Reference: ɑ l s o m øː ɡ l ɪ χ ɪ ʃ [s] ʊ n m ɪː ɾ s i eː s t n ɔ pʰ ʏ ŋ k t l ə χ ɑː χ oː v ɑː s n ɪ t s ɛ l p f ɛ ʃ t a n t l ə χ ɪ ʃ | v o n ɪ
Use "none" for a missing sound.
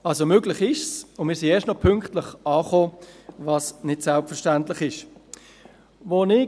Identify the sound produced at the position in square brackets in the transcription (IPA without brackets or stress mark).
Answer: s